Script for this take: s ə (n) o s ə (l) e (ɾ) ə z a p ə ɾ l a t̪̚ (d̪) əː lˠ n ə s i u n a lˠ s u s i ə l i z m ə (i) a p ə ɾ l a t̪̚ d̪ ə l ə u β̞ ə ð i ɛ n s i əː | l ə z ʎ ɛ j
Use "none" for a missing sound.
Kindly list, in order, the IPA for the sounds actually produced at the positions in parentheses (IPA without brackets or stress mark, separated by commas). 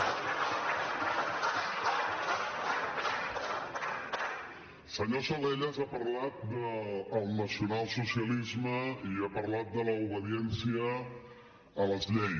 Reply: ɲ, l, ʎ, d̪, i